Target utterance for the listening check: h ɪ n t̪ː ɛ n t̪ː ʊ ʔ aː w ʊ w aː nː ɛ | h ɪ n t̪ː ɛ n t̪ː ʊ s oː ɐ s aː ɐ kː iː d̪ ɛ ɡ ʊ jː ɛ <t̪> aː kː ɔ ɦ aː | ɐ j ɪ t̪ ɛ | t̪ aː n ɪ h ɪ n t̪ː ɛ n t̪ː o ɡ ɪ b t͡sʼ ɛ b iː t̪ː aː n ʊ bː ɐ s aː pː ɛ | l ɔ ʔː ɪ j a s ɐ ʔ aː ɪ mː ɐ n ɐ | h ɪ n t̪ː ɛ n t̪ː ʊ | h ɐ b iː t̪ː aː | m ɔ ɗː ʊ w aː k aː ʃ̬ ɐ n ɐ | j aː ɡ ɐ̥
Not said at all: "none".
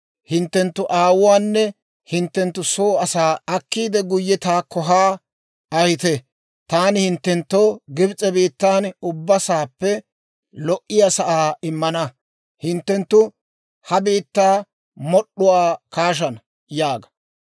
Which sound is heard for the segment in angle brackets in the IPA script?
t̪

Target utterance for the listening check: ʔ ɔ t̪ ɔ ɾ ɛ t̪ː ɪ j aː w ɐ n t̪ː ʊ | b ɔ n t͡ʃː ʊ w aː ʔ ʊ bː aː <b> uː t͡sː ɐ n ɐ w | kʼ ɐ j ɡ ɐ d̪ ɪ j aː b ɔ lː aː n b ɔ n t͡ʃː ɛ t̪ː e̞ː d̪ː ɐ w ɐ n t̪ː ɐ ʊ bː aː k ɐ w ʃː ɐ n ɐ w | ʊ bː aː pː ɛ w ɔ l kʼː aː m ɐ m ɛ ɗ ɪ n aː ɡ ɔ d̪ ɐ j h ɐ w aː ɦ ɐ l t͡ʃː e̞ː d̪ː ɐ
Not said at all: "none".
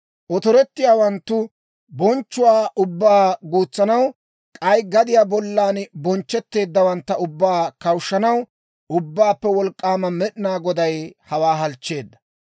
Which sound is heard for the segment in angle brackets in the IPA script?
ɡ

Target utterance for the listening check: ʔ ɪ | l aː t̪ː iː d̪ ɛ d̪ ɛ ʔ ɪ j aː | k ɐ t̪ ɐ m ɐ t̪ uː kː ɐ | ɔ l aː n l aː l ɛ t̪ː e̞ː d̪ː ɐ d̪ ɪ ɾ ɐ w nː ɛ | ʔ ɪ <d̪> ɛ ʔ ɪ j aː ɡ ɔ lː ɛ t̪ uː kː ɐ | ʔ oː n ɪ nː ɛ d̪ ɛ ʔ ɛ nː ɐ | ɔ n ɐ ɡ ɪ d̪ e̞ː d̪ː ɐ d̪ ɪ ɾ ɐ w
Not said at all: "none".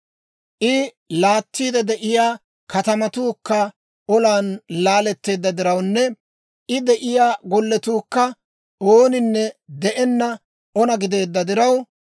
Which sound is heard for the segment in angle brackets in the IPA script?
d̪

